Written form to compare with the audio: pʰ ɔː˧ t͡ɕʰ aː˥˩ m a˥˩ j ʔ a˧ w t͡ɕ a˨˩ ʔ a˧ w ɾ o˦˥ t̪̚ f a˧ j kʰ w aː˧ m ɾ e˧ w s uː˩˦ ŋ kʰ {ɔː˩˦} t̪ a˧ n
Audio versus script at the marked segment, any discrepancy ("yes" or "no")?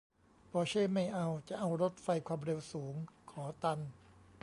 no